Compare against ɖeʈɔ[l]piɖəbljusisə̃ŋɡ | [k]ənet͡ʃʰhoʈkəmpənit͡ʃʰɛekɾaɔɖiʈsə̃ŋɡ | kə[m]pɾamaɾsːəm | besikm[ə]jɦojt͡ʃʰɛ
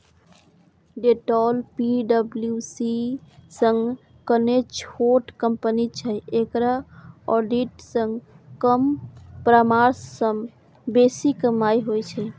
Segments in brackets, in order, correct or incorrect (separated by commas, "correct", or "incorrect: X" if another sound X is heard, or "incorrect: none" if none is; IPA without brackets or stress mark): correct, correct, correct, incorrect: a